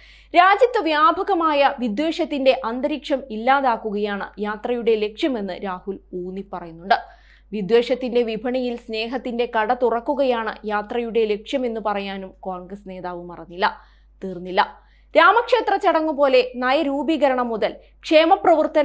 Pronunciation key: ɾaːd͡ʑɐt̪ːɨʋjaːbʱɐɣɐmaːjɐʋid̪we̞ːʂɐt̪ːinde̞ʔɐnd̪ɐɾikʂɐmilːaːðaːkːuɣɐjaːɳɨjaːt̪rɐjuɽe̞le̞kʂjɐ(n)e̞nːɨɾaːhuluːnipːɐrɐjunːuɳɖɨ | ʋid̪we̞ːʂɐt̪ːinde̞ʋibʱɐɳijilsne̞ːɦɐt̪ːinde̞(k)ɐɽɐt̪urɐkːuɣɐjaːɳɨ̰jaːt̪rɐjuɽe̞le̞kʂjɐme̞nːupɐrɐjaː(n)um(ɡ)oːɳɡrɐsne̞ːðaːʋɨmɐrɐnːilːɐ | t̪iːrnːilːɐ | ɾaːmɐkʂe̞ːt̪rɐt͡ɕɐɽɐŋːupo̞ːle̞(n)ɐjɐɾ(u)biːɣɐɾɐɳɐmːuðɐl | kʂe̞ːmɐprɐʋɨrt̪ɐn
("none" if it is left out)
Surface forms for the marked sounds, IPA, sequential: m, k, n, k, n, uː

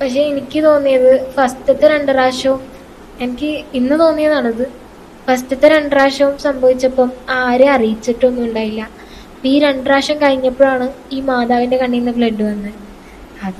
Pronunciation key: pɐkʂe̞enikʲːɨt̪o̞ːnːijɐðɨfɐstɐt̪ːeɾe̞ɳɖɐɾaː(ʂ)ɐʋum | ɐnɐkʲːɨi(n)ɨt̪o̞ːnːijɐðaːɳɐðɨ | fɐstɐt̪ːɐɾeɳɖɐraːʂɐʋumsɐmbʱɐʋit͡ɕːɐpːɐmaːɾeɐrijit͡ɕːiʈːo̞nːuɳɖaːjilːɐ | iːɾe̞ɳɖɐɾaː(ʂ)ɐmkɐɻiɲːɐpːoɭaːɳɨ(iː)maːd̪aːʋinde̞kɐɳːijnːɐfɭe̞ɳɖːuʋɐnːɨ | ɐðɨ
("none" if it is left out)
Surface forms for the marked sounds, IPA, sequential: ʂ, nː, ʂ, iː

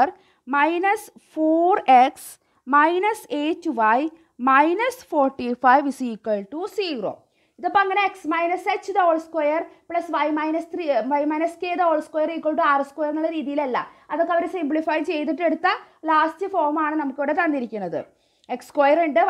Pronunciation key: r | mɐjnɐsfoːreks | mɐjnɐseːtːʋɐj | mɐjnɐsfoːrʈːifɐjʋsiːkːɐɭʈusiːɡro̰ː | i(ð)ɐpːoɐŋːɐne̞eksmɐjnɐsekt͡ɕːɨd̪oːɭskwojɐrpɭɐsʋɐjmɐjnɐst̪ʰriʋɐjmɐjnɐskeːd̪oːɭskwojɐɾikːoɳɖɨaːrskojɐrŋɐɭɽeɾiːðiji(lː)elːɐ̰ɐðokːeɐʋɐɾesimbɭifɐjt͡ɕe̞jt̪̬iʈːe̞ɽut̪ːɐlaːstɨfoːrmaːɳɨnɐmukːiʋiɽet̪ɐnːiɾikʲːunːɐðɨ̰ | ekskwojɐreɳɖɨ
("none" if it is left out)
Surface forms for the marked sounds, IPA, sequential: ð, l

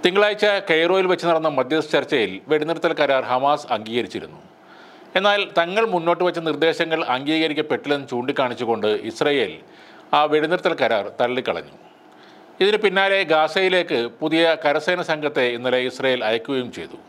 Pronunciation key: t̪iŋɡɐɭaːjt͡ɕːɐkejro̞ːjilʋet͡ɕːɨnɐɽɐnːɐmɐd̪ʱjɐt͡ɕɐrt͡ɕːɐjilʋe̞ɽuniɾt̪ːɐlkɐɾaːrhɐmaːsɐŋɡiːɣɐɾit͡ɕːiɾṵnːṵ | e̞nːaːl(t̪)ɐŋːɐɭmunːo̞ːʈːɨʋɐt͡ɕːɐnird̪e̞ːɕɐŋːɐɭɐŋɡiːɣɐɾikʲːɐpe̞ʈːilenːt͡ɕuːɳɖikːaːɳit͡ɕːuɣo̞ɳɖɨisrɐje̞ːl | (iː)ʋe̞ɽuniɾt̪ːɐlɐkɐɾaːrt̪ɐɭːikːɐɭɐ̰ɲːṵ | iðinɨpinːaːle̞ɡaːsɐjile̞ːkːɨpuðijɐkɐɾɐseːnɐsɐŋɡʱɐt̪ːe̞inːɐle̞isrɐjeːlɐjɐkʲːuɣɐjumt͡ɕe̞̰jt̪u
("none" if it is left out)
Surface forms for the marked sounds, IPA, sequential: t̪, aː

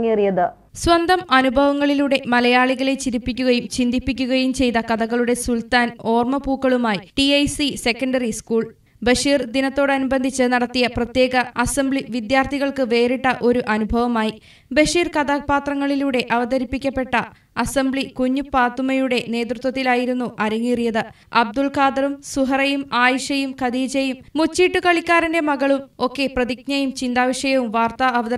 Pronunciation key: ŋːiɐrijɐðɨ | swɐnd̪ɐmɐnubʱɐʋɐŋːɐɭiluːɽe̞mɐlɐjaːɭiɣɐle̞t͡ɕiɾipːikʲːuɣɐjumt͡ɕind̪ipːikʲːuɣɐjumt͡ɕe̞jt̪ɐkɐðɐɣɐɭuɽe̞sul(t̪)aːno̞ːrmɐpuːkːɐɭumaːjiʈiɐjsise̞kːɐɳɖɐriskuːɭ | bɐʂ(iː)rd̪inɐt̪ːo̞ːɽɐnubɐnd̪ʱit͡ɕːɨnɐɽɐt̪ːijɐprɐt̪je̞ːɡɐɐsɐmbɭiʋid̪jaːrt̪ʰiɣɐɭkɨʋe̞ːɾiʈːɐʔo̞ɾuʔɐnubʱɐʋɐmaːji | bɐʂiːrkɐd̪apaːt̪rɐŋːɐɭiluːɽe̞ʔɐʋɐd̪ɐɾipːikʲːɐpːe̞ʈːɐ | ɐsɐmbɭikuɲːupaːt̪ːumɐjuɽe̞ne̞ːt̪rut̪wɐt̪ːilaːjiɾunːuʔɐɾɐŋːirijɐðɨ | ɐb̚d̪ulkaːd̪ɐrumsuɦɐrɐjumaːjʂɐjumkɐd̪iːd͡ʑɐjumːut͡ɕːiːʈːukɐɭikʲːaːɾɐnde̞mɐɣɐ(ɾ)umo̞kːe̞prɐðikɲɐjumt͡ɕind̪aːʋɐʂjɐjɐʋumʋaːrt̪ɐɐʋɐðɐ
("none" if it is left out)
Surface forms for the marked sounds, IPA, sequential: t̪, iː, ɭ

